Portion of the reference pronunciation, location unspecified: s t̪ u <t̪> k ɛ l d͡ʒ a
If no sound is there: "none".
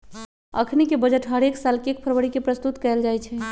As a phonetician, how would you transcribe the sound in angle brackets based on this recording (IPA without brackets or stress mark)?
t̪